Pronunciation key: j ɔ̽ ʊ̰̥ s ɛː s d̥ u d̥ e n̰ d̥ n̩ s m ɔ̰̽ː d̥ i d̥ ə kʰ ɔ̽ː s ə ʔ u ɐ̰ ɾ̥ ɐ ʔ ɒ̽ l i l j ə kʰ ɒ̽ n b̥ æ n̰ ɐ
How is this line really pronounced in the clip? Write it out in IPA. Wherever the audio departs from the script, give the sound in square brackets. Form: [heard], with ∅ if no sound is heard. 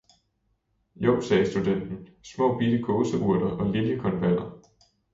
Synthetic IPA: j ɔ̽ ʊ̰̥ s ɛː s d̥ u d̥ e n̰ d̥ n̩ s m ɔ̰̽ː [b̥] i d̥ ə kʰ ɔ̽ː s ə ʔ u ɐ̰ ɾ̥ ɐ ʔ ɒ̽ l i l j ə kʰ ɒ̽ n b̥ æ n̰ ɐ